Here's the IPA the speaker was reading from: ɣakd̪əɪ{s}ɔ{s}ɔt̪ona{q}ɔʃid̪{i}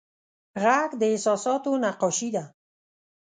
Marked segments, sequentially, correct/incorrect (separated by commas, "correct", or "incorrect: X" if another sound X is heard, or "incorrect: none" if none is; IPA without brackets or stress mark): correct, correct, correct, incorrect: a